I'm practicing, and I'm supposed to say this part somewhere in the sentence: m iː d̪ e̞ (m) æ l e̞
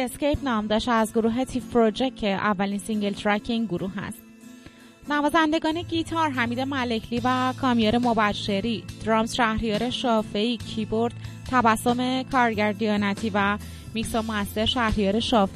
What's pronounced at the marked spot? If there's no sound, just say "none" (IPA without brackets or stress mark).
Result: m